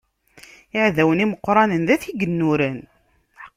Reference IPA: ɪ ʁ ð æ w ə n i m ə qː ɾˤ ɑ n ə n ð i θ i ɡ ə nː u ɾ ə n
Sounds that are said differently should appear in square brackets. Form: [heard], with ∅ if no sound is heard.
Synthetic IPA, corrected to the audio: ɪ [ʕ] ð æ w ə n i m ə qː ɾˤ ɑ n ə n ð [æ] θ i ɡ ə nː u ɾ ə n